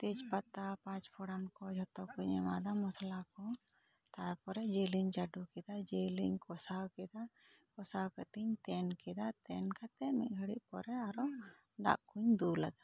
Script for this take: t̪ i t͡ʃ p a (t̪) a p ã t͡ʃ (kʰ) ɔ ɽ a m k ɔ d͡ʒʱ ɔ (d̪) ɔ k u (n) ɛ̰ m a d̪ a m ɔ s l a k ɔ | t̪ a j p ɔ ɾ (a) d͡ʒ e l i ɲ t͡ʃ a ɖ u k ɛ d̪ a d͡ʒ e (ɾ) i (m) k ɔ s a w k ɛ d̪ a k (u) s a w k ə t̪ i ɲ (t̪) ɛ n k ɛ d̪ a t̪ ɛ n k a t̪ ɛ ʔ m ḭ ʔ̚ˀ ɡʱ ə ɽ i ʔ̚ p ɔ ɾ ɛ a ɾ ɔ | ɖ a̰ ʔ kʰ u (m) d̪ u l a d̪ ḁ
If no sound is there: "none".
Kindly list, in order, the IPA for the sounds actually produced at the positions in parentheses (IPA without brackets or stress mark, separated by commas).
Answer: t̪, pʰ, t̪, ɲ, ɛ, l, ɲ, ɔ, t̪, ɲ